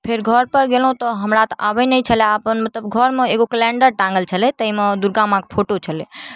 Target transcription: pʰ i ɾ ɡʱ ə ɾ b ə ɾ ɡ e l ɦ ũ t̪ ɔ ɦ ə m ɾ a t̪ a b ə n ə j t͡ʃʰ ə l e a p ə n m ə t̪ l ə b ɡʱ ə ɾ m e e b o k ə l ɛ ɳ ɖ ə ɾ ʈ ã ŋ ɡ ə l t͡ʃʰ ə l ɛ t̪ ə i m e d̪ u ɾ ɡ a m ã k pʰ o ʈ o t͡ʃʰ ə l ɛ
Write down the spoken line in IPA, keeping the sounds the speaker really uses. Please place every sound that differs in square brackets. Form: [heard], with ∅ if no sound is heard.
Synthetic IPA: pʰ [e] ɾ ɡʱ ə ɾ [p] ə ɾ ɡ e l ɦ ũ t̪ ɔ ɦ ə m ɾ a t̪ a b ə n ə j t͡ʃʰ ə l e a p ə n m ə t̪ l ə b ɡʱ ə ɾ m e e [ɡ] o k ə l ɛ ɳ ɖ ə ɾ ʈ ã ŋ ɡ ə l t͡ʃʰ ə l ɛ t̪ ə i m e d̪ u ɾ ɡ a m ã k pʰ o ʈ o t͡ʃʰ ə l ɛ